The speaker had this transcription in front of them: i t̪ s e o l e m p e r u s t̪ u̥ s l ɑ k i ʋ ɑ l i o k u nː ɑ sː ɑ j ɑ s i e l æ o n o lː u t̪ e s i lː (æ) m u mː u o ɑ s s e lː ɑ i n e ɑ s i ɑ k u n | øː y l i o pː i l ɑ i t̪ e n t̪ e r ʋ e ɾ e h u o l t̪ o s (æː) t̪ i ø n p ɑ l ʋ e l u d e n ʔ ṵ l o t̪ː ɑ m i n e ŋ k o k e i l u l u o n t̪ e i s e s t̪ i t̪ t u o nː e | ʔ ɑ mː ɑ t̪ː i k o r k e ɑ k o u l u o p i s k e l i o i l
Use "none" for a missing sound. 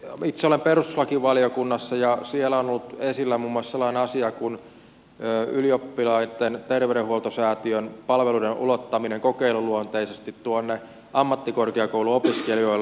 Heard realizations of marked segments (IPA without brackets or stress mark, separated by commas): æ, æː